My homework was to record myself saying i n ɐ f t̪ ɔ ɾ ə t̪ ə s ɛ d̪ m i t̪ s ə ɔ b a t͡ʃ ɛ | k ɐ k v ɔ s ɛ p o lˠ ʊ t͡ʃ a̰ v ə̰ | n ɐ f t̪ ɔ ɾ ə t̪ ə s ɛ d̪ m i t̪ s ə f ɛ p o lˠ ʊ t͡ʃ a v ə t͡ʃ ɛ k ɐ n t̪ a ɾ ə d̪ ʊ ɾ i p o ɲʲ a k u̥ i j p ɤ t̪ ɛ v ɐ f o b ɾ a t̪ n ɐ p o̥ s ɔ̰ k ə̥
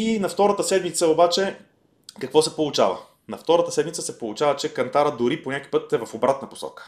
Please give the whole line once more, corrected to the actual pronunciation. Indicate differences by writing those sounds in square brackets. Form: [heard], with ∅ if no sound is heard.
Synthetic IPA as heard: i n ɐ f t̪ ɔ ɾ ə t̪ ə s ɛ d̪ m i t̪ s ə [o] b a t͡ʃ ɛ | k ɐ k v ɔ s ɛ p o lˠ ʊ t͡ʃ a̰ v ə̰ | n ɐ f t̪ ɔ ɾ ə t̪ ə s ɛ d̪ m i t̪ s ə [s] ɛ p o lˠ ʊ t͡ʃ a v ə t͡ʃ ɛ k ɐ n t̪ a ɾ ə d̪ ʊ ɾ i p o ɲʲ a k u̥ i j p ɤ t̪ ɛ v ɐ f o b ɾ a t̪ n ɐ p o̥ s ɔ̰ k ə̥